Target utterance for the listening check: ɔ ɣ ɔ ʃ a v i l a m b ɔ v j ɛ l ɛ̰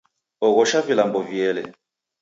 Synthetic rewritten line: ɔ ɣ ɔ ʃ a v i l a m b ɔ v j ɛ l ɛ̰